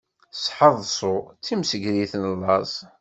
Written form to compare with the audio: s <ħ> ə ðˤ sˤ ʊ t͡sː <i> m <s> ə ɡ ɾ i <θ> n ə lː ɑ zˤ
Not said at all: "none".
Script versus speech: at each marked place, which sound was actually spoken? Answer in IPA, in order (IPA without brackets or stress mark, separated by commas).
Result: ħ, i, s, θ